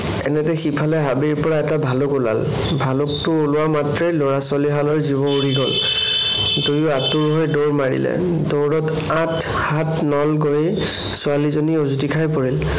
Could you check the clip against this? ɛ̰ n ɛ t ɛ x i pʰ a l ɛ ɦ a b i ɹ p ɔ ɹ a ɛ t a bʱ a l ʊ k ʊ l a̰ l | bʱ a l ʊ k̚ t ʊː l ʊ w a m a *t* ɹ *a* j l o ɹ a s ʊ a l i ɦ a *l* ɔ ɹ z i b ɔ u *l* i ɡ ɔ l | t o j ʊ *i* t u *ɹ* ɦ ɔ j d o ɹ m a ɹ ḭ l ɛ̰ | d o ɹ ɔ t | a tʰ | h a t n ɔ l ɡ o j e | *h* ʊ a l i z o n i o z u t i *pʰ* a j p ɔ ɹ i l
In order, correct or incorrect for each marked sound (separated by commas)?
correct, incorrect, correct, incorrect, incorrect, correct, incorrect, incorrect